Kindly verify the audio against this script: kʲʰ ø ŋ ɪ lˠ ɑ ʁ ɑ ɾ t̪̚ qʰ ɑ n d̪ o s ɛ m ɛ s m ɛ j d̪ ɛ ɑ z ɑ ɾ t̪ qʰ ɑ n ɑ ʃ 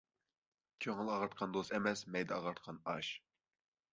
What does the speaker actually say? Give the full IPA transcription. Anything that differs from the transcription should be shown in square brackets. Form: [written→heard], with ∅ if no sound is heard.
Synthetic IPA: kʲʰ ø ŋ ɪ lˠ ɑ ʁ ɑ ɾ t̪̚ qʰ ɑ n d̪ o s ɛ m ɛ s m ɛ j d̪ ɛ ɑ [z→ʁ] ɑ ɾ t̪ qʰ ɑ n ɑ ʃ